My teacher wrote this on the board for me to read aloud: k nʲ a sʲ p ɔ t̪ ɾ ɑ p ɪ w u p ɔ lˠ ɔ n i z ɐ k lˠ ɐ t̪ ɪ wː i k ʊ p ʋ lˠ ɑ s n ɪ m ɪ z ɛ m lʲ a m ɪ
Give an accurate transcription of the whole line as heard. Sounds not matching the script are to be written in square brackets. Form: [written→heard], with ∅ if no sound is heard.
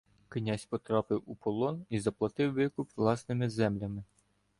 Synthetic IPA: k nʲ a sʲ p ɔ t̪ ɾ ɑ p ɪ w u p ɔ lˠ ɔ n i z ɐ [k→p] lˠ ɐ t̪ ɪ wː [i→ɪ] k ʊ p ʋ lˠ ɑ s n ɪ m ɪ z ɛ m lʲ [a→ɐ] m ɪ